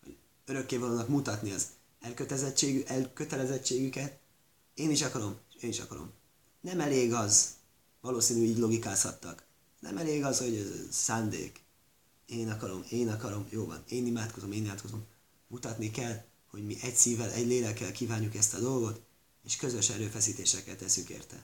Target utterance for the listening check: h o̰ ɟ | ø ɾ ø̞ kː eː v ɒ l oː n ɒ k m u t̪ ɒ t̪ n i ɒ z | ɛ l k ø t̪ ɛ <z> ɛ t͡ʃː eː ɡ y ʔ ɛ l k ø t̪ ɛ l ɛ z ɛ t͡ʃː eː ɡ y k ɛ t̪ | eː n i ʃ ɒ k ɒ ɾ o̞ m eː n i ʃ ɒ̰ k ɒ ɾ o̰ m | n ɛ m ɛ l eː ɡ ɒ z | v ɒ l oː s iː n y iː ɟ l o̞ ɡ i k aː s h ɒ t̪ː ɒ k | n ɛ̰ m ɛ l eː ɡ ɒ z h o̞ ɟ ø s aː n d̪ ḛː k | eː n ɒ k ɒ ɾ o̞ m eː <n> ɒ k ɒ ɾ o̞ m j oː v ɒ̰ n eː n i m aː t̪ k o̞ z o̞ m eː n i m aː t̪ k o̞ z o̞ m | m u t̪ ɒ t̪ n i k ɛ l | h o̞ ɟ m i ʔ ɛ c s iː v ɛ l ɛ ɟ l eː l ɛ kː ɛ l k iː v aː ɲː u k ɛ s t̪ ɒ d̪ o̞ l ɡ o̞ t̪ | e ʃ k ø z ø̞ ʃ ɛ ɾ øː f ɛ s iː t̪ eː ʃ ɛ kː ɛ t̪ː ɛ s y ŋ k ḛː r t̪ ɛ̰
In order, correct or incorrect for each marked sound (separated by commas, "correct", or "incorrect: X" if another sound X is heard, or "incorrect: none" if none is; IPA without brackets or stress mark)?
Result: correct, correct